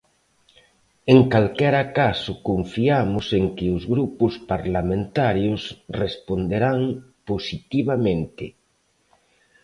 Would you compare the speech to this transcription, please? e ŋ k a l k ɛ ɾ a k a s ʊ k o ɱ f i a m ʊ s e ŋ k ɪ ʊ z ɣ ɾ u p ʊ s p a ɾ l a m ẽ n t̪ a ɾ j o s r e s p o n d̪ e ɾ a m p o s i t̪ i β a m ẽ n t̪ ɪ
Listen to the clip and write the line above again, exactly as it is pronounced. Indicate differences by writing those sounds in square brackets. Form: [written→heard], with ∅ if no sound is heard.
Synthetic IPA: e ŋ k a l k ɛ ɾ a k a s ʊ k o ɱ f i a m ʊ s e ŋ k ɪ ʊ z ɣ ɾ u p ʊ s p a ɾ l a m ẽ n t̪ a ɾ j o s r e s p o n d̪ e ɾ a [m→ŋ] p o s i t̪ i β a m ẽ n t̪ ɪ